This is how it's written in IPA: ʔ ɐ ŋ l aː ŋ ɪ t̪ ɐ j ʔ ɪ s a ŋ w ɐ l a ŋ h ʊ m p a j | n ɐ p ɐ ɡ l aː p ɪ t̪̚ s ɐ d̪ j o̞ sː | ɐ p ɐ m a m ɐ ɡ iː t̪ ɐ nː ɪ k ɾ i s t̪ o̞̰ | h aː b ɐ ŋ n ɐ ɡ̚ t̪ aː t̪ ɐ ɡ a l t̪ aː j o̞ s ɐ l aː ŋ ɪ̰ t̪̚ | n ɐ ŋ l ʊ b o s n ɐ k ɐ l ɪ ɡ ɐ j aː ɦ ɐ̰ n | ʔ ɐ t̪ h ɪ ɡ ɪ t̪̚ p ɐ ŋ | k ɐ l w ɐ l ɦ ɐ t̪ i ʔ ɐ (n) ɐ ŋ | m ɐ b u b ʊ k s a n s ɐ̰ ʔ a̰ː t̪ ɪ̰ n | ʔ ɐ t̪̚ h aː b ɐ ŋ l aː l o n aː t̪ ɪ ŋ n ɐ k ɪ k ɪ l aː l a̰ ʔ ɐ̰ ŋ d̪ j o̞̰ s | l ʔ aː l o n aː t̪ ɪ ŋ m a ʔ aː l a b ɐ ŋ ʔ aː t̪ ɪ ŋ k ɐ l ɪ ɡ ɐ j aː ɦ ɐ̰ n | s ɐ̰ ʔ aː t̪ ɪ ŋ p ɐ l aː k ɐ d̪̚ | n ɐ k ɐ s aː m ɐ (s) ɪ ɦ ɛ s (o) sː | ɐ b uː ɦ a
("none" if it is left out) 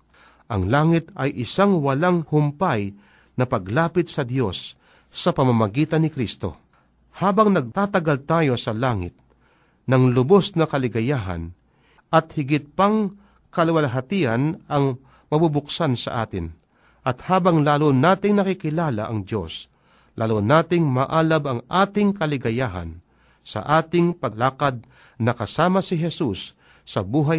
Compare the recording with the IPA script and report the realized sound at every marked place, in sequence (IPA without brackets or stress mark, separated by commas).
n, s, u